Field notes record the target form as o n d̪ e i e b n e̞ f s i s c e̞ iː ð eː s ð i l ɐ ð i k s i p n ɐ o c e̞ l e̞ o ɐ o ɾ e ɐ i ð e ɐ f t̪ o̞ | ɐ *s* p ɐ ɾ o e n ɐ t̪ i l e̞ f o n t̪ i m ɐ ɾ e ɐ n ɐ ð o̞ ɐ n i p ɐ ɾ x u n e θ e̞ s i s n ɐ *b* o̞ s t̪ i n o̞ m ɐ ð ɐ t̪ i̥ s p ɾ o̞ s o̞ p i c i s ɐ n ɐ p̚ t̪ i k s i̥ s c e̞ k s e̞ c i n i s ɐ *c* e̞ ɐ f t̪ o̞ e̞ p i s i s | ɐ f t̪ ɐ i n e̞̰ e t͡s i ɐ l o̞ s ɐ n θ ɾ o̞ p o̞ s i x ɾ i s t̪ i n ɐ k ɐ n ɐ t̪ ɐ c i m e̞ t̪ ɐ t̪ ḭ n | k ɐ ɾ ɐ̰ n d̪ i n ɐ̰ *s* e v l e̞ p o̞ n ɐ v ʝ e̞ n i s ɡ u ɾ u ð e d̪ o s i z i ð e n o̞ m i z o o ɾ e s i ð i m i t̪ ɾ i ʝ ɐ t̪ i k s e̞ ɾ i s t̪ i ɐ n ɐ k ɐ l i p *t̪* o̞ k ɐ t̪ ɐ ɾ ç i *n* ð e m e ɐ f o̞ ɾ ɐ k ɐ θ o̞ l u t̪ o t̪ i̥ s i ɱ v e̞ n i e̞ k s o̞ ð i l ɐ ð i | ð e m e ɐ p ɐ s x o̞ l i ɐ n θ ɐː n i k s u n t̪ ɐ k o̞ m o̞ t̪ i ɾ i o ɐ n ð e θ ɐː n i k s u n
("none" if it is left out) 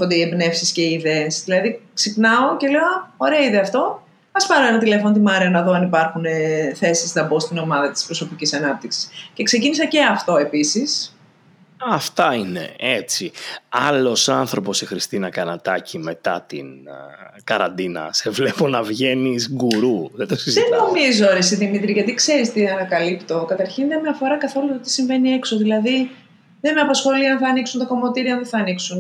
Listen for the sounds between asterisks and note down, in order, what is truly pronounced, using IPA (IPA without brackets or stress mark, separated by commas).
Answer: s, b, c, s, t̪, n